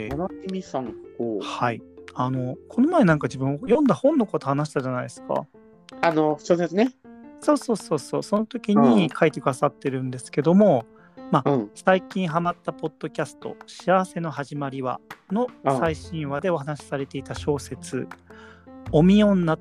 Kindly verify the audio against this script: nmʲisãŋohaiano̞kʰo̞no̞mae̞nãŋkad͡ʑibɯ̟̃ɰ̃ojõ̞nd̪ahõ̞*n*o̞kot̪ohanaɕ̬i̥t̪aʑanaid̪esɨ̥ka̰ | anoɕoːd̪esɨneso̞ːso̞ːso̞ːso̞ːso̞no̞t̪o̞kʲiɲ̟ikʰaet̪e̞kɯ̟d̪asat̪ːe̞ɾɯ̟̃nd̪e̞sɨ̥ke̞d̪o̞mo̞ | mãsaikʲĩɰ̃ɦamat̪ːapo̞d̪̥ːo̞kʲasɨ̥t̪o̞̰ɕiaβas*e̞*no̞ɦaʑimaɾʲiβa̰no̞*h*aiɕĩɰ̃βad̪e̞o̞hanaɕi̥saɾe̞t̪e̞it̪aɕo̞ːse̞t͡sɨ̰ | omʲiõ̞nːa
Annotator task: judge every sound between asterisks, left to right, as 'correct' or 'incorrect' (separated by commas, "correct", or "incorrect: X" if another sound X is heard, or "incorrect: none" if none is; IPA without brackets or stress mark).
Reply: incorrect: nː, correct, incorrect: s